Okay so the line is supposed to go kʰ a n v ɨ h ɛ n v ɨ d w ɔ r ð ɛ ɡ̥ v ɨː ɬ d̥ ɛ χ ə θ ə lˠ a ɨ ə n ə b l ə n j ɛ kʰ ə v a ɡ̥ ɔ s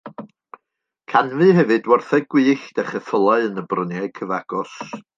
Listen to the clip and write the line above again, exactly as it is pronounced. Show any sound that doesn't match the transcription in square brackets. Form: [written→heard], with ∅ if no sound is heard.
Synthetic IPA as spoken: kʰ a n v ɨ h ɛ [n→∅] v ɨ d w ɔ r [ð→θ] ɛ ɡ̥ [v→w] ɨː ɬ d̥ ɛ χ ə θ ə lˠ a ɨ ə n ə b [l→r] ə n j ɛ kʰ ə v a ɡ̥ ɔ s